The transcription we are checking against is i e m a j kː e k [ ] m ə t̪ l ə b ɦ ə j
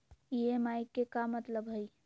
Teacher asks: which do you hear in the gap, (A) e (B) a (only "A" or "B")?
B